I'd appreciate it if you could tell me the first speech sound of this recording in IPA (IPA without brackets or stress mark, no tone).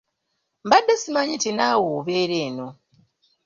m